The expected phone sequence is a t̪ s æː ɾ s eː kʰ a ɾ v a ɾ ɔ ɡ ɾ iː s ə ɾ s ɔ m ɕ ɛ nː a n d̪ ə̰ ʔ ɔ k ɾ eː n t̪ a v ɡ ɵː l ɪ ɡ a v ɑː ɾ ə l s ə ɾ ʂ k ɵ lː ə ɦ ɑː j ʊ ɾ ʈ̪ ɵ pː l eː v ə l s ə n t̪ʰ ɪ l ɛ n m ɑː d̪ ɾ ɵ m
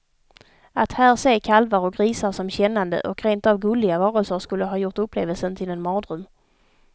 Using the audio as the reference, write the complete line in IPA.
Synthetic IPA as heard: a t̪ h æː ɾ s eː kʰ a l v a ɾ ɔ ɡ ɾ iː s a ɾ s ɔ m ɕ ɛ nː a n d̪ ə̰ ʔ ɔ k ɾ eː n t̪ a v ɡ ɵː l ɪ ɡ a v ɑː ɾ ə l s ə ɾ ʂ k ɵ lː ə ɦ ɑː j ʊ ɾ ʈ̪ ɵ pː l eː v ə l s ə n t̪ʰ ɪ l ɛ n m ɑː d̪ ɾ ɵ m